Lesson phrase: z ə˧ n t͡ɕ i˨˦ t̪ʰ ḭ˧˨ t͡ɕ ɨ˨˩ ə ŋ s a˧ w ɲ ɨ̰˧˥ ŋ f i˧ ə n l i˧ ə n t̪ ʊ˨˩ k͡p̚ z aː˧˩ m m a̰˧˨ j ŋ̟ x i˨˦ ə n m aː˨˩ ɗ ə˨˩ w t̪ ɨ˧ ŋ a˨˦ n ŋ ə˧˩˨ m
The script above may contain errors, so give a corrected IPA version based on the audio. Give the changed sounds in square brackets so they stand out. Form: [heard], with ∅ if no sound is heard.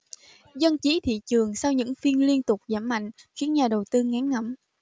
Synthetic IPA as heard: z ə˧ n t͡ɕ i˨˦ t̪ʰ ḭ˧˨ t͡ɕ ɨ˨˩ ə ŋ s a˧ w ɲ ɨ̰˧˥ ŋ f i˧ ə n l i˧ ə n t̪ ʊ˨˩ k͡p̚ z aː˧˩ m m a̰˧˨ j ŋ̟ x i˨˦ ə n [ɲ] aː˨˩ ɗ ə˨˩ w t̪ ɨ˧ ŋ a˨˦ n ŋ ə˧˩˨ m